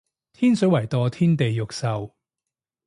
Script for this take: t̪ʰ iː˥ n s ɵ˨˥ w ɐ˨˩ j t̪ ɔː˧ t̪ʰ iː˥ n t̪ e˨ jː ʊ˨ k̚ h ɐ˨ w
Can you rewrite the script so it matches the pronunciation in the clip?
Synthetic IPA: t̪ʰ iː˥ n s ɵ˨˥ w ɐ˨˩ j t̪ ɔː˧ t̪ʰ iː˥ n t̪ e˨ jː ʊ˨ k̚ s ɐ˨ w

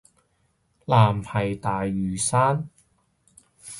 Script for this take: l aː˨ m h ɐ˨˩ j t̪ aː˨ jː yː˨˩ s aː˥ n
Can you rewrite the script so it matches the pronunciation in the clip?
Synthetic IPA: l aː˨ m h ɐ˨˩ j t̪ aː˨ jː yː˨˩ s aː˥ n

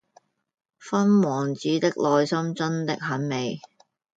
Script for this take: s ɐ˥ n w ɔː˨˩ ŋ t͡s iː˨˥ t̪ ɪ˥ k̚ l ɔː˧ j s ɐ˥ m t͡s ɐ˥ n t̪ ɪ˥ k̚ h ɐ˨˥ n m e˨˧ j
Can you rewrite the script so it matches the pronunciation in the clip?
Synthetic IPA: f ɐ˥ n w ɔː˨˩ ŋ t͡s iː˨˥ t̪ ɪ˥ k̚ l ɔː˧ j s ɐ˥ m t͡s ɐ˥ n t̪ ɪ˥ k̚ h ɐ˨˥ n m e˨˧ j

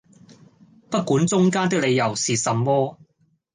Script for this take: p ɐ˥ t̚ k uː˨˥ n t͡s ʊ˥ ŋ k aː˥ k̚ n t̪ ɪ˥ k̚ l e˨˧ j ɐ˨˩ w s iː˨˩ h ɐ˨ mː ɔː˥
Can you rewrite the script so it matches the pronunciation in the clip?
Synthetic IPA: p ɐ˥ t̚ k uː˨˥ n t͡s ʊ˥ ŋ k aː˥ n t̪ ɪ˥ k̚ l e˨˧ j ɐ˨˩ w s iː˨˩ s ɐ˨ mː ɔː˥

